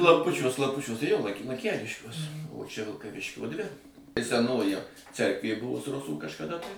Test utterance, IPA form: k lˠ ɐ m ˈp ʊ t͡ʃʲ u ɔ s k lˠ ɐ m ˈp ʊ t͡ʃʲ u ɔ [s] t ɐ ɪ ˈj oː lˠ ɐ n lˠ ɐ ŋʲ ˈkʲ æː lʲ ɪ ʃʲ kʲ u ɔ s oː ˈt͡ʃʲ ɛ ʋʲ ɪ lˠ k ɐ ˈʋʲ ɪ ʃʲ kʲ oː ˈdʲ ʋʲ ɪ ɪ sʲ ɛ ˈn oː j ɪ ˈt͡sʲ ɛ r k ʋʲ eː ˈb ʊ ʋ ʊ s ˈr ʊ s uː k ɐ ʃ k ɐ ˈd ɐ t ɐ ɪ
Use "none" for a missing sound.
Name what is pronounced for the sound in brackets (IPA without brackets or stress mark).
s